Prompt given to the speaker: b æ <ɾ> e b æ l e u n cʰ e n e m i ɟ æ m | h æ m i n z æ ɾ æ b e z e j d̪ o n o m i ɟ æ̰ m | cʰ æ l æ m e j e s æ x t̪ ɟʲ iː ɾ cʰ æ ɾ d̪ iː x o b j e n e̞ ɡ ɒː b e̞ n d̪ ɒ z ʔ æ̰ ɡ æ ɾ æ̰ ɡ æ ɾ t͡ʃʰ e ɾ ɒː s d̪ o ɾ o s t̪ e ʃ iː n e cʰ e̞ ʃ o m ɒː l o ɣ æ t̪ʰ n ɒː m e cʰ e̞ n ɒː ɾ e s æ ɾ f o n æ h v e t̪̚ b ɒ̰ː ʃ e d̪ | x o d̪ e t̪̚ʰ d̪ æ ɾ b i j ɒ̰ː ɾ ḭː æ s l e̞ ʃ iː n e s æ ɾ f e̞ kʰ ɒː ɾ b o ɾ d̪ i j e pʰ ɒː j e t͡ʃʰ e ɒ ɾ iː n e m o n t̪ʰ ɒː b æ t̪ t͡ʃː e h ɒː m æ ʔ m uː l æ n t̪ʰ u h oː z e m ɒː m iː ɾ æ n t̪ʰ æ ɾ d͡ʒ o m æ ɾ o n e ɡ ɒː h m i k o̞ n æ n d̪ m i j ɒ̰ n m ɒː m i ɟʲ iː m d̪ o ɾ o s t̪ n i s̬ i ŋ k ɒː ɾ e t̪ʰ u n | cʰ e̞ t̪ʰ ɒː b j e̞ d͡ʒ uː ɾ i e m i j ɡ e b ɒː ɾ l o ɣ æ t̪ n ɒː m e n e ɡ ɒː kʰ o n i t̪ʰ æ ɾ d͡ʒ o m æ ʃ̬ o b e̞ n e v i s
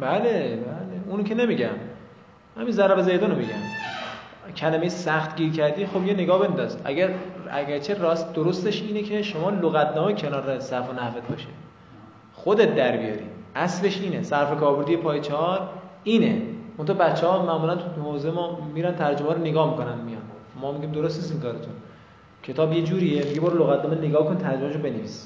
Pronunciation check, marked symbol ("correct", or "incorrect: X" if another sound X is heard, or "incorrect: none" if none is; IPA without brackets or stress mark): incorrect: l